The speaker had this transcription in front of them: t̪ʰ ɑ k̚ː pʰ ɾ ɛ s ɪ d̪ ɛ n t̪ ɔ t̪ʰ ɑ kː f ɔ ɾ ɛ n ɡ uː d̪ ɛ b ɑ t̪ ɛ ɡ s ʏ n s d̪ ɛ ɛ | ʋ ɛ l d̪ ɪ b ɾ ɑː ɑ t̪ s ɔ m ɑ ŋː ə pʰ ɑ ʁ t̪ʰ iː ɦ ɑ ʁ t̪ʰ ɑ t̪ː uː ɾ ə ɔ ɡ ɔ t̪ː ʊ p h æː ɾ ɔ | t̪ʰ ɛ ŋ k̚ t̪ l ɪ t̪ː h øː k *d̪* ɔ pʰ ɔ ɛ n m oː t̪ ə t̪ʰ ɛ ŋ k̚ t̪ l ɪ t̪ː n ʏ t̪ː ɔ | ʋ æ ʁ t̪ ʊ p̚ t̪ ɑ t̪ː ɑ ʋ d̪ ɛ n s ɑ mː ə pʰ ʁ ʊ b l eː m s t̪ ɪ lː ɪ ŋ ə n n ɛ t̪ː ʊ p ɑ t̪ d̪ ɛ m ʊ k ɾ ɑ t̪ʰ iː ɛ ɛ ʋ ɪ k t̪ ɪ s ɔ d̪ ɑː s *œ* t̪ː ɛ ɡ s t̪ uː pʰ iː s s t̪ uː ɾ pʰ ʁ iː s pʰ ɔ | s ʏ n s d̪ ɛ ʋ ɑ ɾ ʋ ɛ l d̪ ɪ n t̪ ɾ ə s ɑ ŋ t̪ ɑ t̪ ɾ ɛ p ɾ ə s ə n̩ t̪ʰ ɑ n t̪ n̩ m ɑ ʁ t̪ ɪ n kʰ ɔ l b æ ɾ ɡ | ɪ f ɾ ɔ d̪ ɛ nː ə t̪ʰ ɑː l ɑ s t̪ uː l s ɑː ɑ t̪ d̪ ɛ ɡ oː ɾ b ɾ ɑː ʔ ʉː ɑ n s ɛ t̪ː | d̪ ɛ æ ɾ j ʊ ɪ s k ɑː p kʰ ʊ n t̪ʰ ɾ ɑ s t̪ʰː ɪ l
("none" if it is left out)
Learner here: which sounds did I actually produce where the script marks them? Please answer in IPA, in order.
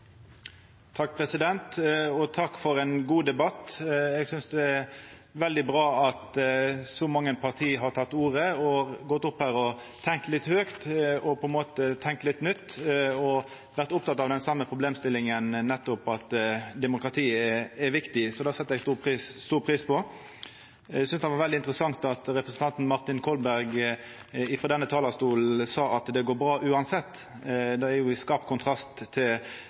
t̪, ɛ

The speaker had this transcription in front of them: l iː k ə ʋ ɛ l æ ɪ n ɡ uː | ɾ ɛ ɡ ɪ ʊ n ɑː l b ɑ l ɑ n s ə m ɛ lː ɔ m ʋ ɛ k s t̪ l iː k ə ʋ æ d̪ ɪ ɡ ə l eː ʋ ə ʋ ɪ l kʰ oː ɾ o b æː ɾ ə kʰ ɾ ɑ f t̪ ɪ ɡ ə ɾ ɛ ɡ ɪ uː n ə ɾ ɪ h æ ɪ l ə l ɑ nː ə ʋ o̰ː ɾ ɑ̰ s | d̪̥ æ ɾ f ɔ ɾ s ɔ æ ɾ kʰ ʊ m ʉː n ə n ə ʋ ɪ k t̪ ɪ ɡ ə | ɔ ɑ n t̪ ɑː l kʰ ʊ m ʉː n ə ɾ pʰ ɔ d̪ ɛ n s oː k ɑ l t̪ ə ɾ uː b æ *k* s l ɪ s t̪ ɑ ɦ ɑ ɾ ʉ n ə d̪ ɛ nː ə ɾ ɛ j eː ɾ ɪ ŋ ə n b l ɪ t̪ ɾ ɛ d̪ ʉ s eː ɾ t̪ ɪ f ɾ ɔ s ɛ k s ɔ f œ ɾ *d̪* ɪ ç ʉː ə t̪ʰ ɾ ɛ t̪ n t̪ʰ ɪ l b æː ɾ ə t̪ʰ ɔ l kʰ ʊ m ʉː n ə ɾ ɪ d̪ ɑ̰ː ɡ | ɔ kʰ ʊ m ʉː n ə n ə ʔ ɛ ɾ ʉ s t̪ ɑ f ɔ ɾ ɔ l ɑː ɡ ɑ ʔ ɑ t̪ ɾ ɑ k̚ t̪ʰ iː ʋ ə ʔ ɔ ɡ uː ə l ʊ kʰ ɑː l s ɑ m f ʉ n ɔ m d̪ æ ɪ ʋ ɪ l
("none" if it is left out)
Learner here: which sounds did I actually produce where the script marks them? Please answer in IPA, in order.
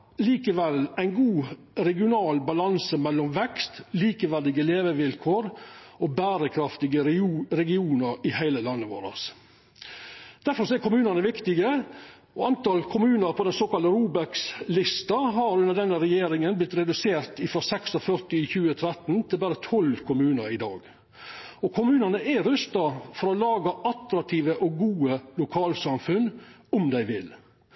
k, t̪

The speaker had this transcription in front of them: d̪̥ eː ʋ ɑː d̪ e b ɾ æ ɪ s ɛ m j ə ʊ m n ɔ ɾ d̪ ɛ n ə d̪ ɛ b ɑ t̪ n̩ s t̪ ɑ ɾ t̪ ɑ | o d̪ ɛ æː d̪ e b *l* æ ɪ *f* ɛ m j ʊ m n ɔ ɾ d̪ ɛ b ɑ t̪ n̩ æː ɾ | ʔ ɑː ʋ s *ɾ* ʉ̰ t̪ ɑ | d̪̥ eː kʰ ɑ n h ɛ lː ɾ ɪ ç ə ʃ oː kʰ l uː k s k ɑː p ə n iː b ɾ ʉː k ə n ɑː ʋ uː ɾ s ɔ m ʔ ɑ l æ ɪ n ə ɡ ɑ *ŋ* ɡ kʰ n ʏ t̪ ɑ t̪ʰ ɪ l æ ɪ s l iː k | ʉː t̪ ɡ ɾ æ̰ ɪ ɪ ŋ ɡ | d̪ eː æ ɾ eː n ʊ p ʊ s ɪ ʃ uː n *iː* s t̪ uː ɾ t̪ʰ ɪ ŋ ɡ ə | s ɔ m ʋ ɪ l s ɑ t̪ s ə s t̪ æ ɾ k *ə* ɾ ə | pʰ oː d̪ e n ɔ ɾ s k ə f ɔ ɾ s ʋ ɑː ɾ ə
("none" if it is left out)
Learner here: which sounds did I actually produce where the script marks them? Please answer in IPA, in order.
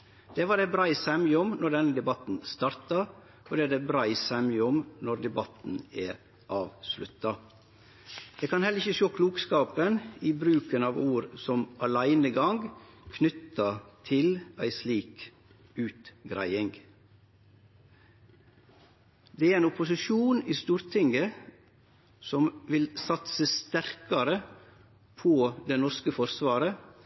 ɾ, s, l, ŋ, iː, ɑ

